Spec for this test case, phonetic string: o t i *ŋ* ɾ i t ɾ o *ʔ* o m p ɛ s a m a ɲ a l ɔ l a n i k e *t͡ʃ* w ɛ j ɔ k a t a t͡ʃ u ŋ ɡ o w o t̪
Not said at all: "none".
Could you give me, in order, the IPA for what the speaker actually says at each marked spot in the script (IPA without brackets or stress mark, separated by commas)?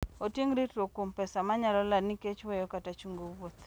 ŋ, k, t͡ʃ